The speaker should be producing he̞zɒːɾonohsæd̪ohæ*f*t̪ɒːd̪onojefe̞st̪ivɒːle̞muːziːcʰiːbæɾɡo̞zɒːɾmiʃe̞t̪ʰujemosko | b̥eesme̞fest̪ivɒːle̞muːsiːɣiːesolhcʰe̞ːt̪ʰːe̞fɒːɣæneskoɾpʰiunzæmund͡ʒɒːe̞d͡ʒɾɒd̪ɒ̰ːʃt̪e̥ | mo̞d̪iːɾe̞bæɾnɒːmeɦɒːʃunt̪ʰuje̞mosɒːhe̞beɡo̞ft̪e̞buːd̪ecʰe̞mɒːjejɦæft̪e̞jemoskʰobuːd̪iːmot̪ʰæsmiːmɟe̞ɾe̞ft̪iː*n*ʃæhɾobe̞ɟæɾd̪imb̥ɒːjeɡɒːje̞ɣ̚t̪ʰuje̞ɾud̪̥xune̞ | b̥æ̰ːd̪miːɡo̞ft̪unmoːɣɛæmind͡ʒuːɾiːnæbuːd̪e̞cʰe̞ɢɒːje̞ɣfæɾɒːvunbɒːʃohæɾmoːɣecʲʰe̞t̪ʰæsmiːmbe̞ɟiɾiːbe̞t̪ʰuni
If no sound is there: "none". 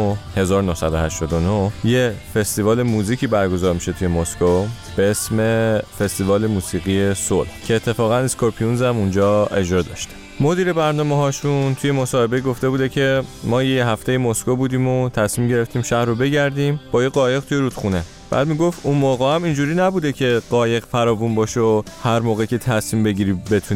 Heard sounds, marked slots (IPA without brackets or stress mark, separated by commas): ʃ, m